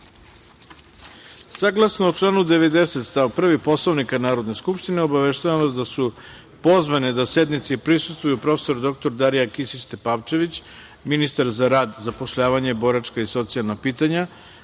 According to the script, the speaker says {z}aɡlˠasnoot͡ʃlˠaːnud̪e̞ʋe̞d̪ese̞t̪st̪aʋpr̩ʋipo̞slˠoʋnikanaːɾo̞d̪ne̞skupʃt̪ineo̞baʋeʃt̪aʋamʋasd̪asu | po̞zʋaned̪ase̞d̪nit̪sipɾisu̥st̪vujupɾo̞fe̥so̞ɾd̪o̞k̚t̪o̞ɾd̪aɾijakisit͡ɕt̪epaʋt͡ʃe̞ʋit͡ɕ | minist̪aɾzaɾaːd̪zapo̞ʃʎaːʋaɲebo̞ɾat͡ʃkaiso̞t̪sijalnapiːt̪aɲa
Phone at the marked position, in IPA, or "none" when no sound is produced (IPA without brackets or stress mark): s